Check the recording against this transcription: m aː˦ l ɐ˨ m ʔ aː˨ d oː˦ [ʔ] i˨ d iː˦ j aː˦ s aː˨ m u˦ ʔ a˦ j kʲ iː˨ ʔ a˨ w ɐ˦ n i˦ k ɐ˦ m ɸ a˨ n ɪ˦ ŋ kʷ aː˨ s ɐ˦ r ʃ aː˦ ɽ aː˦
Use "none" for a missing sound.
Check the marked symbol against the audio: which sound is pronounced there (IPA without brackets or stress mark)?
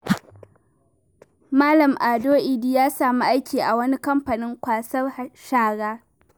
ʔ